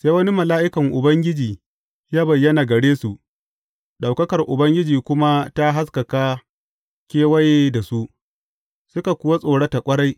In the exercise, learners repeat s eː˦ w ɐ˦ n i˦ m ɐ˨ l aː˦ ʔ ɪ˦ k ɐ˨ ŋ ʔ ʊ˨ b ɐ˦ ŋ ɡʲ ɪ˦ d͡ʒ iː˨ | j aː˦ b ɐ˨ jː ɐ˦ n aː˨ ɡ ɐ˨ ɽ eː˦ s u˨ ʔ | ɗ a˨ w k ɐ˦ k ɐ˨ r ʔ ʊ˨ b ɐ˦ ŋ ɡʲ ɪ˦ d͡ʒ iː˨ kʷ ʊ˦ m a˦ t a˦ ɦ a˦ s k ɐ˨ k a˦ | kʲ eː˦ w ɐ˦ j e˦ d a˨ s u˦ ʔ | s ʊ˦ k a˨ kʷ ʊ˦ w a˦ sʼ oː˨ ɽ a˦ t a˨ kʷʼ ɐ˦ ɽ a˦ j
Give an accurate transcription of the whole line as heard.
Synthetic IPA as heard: s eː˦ w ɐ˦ n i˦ m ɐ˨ l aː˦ ʔ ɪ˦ k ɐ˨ ŋ ʔ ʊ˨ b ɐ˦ ŋ ɡʲ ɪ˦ d͡ʒ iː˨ | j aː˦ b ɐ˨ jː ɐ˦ n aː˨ ɡ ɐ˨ ɽ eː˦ s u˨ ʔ | ɗ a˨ w k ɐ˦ k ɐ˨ r ʔ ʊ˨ b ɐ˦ ŋ ɡʲ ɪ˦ d͡ʒ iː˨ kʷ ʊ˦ m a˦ t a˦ ɦ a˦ s k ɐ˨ k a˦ | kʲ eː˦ w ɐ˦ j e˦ d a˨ s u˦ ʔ | s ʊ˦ k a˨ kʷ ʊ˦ w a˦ sʼ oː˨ ɽ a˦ t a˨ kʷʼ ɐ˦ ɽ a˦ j

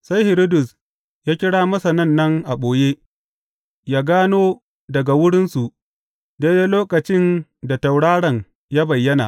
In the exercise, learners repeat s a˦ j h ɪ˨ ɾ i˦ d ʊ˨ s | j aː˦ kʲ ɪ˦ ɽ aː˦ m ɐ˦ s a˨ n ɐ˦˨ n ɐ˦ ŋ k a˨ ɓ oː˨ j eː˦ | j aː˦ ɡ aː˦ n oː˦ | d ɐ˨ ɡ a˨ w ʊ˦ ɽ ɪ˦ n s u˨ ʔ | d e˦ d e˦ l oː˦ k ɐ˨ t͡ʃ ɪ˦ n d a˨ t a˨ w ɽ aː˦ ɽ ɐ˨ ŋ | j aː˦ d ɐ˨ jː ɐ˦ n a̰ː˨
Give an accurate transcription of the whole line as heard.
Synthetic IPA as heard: s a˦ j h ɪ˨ ɾ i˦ d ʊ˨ s | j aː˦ kʲ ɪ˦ ɽ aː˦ m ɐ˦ s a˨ n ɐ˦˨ nː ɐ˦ ŋ ʔ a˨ ɓ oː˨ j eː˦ | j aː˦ ɡ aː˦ n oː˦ | d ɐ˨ ɡ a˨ w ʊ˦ ɽ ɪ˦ n s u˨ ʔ | d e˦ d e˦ l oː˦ k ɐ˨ t͡ʃ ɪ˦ n d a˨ t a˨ w ɽ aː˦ ɽ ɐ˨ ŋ | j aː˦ b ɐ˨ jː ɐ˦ n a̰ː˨

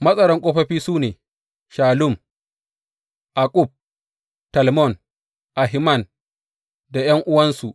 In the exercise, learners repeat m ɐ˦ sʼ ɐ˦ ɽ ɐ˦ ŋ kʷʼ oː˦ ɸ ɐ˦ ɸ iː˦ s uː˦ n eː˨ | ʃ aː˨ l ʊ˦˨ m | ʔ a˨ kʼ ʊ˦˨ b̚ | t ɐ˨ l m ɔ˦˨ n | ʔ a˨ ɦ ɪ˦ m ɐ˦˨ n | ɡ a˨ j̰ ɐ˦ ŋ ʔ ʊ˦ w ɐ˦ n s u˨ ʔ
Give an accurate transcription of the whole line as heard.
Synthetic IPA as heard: m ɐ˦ sʼ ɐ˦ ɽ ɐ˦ ŋ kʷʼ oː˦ ɸ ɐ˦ ɸ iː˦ s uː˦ n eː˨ | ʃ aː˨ l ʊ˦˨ m | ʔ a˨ kʼ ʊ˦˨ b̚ | t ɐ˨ l m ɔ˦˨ n | ʔ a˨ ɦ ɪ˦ m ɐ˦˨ n | d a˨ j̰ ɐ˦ ŋ ʔ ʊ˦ w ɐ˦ n s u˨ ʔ

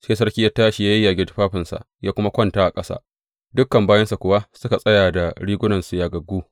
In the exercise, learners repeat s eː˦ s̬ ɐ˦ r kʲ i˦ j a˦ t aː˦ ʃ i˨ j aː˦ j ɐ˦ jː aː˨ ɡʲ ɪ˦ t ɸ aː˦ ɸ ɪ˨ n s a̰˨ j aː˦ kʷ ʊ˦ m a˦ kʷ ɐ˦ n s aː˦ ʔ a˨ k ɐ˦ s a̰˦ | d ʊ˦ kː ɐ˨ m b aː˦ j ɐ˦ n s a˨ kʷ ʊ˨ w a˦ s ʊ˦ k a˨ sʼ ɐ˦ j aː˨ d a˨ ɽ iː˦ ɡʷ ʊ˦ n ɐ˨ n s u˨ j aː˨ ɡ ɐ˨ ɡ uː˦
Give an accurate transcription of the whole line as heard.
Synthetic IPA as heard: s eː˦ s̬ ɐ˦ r kʲ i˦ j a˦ t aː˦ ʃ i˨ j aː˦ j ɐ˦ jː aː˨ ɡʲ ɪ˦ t ɸ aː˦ ɸ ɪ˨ n s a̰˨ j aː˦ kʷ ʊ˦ m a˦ kʷ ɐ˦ n t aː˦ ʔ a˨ kʼ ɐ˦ s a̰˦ | d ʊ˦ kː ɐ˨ m b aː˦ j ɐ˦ n s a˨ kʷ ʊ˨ w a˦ s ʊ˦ k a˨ sʼ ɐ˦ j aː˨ d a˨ ɽ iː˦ ɡʷ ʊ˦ n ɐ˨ n s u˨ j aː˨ ɡ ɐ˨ ɡ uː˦

